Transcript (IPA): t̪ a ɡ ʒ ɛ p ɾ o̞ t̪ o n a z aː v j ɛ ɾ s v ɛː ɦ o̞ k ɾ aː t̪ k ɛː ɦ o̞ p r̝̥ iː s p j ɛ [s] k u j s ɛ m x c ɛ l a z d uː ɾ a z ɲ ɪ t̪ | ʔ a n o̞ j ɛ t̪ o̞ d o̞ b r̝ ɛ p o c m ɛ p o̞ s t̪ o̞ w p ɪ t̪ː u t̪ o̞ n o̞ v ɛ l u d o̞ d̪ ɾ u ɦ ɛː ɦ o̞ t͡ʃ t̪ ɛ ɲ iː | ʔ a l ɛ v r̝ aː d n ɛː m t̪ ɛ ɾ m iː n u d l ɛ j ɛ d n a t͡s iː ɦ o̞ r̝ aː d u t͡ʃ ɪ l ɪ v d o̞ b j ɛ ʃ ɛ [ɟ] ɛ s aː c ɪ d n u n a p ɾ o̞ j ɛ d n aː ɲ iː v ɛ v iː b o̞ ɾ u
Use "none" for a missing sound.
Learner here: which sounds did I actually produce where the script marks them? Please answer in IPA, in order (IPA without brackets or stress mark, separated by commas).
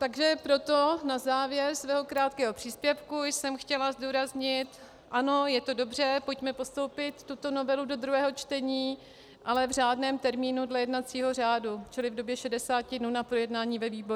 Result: f, d